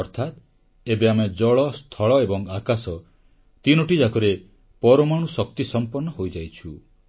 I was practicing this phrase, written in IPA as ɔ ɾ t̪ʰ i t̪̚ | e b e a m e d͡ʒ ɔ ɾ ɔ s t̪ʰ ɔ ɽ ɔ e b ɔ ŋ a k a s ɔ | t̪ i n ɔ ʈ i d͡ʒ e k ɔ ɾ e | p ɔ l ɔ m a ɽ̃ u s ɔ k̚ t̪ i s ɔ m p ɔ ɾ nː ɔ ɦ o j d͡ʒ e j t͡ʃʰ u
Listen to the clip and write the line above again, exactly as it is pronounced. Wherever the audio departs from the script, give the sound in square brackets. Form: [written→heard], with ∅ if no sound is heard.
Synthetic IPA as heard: ɔ ɾ t̪ʰ [i→a] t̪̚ | e b e a m e d͡ʒ ɔ [ɾ→ɭ] ɔ s t̪ʰ ɔ [ɽ→ɭ] ɔ e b ɔ ŋ a k a s ɔ | t̪ i n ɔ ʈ i d͡ʒ [e→a] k ɔ ɾ e | p ɔ [l→ɾ] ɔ m a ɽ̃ u s ɔ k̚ t̪ i s ɔ m p ɔ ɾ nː ɔ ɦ o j d͡ʒ [e→a] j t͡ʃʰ u